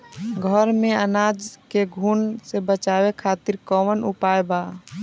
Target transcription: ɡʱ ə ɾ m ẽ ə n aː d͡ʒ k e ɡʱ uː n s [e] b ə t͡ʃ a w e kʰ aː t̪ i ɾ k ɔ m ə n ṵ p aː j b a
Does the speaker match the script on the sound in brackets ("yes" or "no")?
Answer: yes